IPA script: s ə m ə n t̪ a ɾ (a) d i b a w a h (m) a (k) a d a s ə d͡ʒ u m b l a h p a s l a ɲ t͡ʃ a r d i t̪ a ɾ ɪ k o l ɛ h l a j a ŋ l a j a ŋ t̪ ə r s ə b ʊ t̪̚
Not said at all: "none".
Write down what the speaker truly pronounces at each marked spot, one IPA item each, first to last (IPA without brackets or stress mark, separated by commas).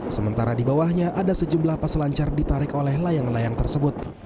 a, ɲ, ʔ